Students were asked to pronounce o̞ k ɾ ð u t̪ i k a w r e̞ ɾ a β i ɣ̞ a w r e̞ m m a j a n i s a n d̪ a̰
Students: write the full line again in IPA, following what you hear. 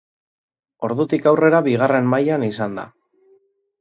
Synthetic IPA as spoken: o̞ ɾ ð u t̪ i k a w r e̞ ɾ a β i ɣ̞ a r e̞ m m a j a n i s a n d̪ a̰